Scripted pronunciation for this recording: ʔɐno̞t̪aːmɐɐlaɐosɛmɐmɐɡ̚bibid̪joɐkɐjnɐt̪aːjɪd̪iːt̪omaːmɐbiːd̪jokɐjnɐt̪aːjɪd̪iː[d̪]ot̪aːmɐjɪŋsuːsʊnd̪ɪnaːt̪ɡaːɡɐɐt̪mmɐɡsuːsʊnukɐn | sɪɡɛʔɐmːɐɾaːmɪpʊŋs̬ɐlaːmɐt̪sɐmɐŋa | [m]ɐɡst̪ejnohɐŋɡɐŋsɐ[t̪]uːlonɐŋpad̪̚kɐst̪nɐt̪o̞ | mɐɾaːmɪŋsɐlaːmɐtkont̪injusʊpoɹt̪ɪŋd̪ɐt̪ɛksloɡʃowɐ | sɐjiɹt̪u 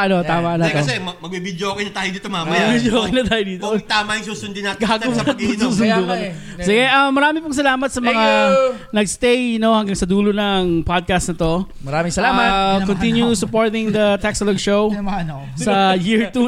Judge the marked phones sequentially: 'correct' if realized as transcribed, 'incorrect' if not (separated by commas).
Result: incorrect, incorrect, incorrect